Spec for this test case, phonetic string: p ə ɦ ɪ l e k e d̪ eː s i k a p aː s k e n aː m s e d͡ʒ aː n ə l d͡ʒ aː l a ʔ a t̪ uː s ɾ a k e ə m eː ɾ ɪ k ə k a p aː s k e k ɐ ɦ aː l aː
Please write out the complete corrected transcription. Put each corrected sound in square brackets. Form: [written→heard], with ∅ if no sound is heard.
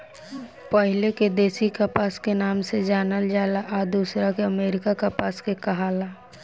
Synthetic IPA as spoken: p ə ɦ ɪ l e k e d̪ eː s i k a p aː s k e n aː m s e d͡ʒ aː n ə l d͡ʒ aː l a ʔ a [t̪→d̪] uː s ɾ a k e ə m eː ɾ ɪ k [ə→a] k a p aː s k e k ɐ ɦ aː l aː